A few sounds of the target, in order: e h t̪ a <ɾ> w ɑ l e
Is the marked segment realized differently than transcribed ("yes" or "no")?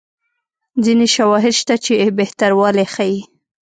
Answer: no